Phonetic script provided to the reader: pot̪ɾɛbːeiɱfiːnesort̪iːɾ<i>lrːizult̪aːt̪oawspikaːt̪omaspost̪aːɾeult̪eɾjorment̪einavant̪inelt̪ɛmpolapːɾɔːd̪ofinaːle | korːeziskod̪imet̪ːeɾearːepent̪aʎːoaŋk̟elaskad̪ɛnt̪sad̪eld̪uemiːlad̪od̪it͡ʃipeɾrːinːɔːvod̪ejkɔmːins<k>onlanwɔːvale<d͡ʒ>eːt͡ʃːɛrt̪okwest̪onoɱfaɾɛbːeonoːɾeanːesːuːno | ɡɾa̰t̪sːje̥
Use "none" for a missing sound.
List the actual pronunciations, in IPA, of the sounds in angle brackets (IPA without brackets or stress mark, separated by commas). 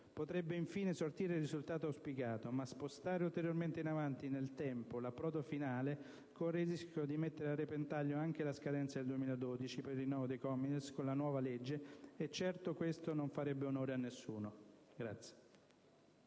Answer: e, k, d͡ʒː